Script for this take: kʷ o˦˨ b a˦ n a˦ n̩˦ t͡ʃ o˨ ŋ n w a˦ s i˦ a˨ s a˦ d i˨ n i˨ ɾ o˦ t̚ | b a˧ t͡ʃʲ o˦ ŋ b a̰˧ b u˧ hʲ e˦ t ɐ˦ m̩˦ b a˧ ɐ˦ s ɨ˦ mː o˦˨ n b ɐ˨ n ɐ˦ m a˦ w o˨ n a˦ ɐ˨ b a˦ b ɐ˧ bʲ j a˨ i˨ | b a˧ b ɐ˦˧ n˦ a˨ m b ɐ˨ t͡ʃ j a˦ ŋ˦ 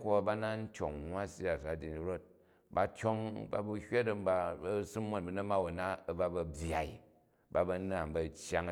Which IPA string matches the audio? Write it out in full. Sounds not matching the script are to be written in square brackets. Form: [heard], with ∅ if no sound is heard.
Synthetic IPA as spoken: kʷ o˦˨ b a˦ n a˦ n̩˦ t͡ʃ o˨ ŋ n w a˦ s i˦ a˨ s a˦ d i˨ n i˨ ɾ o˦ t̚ | b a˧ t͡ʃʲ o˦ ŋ b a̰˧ b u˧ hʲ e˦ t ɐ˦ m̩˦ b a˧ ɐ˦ s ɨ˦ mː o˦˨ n b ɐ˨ n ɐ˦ m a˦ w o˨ n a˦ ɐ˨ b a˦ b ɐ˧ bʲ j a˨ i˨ | b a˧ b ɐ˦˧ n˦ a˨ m b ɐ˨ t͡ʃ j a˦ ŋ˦

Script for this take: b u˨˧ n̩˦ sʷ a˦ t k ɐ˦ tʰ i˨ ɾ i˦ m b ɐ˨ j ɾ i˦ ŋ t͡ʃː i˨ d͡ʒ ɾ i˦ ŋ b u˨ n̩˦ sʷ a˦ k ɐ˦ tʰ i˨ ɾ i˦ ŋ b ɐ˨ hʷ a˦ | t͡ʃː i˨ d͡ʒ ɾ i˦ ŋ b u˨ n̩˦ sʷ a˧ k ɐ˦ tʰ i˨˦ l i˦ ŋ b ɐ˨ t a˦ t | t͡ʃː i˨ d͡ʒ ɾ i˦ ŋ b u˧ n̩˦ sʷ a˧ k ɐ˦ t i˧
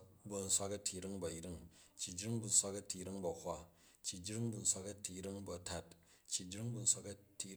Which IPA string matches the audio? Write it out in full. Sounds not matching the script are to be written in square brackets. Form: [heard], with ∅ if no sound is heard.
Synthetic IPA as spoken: b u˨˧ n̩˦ sʷ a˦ [∅] k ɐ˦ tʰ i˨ ɾ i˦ [ŋ] b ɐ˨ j ɾ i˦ ŋ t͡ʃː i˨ d͡ʒ ɾ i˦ ŋ b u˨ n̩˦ sʷ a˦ k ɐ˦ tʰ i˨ ɾ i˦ ŋ b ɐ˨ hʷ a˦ | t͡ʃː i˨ d͡ʒ ɾ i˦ ŋ b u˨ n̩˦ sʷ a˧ k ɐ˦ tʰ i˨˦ [ɾ] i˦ ŋ b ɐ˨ t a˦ t | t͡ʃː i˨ d͡ʒ ɾ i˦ ŋ b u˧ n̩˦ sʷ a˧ k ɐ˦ t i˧

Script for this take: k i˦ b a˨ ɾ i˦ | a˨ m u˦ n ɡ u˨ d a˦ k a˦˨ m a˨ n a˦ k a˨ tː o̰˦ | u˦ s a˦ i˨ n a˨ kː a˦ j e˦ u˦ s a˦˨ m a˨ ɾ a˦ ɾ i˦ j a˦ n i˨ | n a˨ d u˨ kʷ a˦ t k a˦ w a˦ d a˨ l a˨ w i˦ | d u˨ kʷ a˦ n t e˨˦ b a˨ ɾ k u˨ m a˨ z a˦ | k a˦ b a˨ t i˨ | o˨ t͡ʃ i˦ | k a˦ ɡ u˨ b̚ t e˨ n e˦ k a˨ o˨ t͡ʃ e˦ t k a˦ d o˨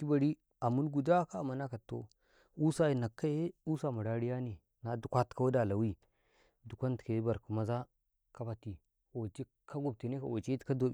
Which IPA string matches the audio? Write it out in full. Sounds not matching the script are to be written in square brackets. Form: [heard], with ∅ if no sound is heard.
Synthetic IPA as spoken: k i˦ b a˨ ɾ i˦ | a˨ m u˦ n ɡ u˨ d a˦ k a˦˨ m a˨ n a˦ k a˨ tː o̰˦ | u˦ s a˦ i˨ n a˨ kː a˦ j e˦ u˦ s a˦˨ m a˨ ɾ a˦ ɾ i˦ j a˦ n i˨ | n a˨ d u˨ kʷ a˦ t k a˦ w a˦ d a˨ l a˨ w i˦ | d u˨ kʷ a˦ n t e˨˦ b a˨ ɾ k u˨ m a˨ z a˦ | k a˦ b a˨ t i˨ | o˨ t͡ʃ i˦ | k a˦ ɡ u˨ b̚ t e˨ n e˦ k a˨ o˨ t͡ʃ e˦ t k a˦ d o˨

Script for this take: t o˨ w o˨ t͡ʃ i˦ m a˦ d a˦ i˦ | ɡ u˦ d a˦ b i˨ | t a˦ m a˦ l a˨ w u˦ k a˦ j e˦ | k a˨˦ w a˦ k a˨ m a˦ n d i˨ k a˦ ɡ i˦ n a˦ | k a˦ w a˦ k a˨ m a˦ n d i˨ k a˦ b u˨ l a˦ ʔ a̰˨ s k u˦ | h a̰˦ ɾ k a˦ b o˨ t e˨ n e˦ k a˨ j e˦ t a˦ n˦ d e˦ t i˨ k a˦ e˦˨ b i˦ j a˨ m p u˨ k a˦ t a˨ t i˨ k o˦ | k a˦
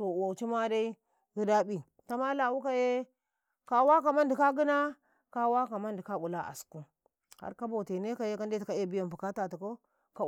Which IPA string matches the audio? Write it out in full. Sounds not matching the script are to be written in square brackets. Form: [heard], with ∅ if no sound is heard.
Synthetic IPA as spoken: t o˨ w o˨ t͡ʃ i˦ m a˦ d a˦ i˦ | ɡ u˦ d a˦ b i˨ | t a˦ m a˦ l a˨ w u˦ k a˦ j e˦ | k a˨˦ w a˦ k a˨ m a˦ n d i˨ k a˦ ɡ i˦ n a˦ | k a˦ w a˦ k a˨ m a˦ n d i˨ k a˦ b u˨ l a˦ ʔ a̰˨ s k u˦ | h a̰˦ ɾ k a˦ b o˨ t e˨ n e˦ k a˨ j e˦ [k] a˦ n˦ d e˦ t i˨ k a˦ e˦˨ b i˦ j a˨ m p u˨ k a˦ t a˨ t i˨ k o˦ | k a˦

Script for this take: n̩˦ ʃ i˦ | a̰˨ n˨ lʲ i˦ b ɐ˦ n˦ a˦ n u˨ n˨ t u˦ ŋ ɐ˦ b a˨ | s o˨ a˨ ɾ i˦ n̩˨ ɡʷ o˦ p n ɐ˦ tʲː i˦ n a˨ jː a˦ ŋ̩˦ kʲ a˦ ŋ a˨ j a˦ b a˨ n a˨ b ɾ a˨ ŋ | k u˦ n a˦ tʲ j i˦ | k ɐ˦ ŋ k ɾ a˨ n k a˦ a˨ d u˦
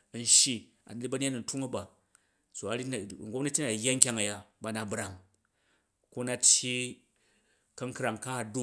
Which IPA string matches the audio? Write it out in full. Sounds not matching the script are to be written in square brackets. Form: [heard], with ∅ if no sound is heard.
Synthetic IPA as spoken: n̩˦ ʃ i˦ | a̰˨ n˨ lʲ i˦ b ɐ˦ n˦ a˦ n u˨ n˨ t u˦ ŋ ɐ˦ b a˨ | s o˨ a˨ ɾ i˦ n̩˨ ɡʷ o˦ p n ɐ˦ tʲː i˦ n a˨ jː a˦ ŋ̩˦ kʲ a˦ ŋ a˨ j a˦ b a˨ n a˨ b ɾ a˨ ŋ | k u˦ n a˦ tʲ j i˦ | k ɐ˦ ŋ k ɾ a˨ [ŋ] k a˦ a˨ d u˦

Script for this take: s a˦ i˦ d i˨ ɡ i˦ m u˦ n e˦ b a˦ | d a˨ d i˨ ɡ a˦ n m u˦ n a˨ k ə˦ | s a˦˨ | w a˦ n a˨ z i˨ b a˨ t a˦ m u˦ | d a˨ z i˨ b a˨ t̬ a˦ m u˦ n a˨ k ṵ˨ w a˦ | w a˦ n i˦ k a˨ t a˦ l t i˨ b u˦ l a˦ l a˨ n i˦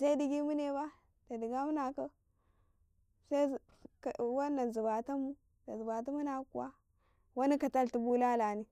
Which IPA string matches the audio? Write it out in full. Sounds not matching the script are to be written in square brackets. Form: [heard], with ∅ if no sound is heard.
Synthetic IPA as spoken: s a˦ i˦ d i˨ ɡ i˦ m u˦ n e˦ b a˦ | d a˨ d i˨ ɡ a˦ [∅] m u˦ n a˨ k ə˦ | s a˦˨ | w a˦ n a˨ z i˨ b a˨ t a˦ m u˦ | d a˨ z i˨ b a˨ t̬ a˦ m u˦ n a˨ k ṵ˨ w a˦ | w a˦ n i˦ k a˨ t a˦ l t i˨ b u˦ l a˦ l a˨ n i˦

